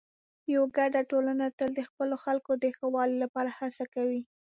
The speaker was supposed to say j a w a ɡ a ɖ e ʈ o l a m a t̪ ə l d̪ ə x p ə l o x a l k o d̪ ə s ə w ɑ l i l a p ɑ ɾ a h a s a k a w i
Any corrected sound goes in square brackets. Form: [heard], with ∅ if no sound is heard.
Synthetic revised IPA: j a w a ɡ a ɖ [a] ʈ o l a [n] a t̪ ə l d̪ ə x p ə l o x a l k o d̪ ə [x] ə w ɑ l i l a p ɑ ɾ a h a s a k a w i